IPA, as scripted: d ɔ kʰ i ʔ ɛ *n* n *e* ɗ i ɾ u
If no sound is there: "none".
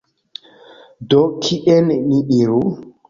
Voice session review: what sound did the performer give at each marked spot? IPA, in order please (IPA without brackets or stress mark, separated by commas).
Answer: n, i